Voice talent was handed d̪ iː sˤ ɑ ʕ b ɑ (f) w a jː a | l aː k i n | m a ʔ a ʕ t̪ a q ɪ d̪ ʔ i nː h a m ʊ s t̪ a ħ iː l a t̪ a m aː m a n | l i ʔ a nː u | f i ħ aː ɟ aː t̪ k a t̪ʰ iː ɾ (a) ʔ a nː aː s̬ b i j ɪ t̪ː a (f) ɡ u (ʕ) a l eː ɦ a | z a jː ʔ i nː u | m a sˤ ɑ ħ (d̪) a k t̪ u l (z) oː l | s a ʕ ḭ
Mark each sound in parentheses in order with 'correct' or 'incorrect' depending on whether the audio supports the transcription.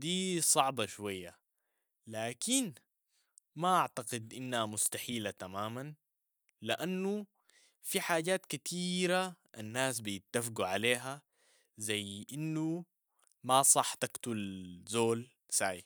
incorrect: ʃ, correct, correct, correct, incorrect: t̪, correct

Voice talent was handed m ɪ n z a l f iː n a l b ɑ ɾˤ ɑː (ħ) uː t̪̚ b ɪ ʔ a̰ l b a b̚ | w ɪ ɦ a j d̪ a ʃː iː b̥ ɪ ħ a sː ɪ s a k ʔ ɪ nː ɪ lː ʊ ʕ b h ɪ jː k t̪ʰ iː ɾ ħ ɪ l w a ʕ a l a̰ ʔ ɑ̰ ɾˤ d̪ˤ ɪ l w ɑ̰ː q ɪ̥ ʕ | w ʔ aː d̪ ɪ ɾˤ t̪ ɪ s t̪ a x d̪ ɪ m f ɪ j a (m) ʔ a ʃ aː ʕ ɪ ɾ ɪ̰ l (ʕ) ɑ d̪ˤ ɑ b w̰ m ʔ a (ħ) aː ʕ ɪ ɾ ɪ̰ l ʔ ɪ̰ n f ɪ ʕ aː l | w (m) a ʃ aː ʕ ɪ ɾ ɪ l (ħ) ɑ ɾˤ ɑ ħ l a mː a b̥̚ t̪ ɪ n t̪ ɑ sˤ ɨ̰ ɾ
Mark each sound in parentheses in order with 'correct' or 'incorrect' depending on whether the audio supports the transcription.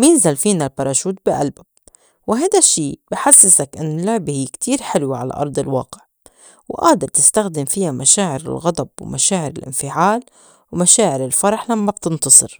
incorrect: ʃ, correct, incorrect: ɣ, incorrect: ʃ, correct, incorrect: f

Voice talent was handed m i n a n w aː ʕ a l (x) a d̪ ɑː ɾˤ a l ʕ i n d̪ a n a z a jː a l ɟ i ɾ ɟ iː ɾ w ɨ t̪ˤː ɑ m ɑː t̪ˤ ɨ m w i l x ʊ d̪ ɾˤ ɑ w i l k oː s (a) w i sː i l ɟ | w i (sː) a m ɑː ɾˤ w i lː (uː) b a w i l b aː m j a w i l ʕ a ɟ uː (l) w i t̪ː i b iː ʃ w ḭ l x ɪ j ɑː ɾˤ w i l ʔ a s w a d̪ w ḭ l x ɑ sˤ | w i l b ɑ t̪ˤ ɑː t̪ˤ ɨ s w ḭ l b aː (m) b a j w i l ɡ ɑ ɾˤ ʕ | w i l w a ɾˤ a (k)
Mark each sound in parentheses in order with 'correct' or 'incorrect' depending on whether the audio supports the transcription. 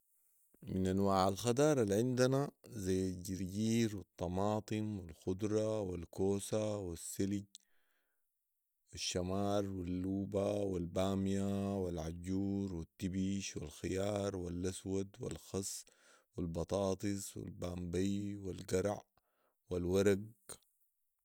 correct, correct, incorrect: ʃː, correct, incorrect: ɾ, correct, incorrect: ɡ

